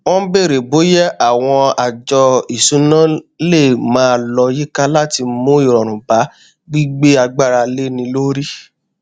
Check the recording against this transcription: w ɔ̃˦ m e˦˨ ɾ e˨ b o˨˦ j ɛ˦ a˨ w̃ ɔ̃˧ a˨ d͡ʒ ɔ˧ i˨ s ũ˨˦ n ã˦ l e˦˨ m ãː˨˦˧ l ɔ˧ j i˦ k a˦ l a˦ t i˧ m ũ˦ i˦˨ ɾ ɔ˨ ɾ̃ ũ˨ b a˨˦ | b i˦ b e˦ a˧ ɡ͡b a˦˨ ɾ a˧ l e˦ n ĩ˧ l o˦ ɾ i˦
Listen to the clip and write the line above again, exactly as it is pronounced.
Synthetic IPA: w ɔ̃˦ b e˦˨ ɾ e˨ b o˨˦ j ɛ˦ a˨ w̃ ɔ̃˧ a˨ d͡ʒ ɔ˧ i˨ s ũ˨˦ n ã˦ l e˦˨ m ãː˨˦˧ l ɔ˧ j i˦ k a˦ l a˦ t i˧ m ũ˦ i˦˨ ɾ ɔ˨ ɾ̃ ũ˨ b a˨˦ | ɡ͡b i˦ ɡ͡b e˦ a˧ ɡ͡b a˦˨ ɾ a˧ l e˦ n ĩ˧ l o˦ ɾ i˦